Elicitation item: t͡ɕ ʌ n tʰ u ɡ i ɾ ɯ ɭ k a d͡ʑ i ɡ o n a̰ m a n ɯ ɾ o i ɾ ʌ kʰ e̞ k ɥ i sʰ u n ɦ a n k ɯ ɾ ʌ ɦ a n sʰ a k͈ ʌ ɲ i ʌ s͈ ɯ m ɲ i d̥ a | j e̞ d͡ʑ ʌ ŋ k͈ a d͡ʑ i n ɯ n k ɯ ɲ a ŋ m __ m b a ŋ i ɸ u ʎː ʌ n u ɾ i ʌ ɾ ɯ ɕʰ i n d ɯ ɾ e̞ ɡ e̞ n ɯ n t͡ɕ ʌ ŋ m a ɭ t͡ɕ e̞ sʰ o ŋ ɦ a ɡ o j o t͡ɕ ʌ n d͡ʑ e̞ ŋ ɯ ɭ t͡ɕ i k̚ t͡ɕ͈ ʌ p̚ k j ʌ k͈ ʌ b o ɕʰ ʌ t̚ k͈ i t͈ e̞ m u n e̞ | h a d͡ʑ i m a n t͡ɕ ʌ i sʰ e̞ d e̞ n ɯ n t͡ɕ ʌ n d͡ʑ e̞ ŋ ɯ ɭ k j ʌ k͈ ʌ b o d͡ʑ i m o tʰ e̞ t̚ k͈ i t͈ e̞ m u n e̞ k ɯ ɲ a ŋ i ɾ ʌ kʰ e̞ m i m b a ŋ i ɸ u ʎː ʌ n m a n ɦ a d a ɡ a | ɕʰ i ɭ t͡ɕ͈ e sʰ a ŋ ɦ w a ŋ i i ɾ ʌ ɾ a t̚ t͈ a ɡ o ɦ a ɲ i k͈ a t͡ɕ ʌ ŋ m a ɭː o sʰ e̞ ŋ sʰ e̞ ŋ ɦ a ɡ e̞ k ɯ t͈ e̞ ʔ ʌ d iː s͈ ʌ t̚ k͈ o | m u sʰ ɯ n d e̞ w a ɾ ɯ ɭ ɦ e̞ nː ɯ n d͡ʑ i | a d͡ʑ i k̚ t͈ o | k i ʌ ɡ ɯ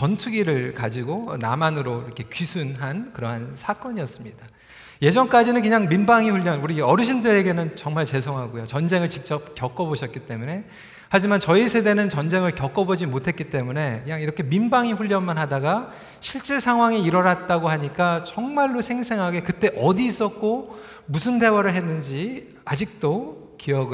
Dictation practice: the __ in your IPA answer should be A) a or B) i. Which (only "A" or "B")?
B